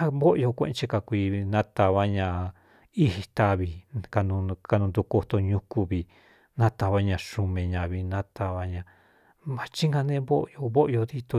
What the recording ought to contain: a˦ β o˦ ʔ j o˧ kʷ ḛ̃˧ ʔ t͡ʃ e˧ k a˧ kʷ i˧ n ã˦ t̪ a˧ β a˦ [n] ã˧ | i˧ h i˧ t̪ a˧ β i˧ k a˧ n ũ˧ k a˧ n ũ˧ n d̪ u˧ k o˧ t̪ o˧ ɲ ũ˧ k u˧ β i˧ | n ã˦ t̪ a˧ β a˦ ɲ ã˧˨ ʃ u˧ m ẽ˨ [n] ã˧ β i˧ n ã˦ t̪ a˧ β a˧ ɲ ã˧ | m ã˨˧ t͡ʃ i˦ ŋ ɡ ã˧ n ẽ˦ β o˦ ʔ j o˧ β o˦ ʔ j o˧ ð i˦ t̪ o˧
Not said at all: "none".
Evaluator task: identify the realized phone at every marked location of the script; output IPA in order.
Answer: ɲ, ɲ

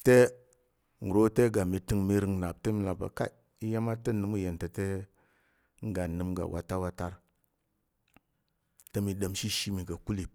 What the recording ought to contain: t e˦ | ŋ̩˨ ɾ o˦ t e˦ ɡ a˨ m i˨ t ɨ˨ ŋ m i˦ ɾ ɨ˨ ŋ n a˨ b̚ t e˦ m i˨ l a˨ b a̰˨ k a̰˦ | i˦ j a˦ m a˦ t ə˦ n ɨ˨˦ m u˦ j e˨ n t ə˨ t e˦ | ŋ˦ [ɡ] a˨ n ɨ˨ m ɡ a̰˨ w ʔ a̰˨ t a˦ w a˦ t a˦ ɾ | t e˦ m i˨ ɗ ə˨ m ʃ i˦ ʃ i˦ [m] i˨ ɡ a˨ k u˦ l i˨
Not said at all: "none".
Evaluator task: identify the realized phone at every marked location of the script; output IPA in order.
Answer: ɡ, m

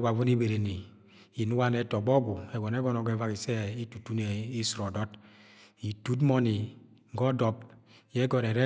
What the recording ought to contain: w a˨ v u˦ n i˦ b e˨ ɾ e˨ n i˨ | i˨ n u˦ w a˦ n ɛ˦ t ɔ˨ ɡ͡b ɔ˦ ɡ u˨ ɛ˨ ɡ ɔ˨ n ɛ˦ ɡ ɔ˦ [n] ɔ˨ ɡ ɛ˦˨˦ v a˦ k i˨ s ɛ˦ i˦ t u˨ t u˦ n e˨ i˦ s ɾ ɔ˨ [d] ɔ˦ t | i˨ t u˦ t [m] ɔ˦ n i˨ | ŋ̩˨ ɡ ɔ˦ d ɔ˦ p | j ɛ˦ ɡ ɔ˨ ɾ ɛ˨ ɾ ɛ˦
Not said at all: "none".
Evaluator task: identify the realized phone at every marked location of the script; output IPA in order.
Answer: n, d, m

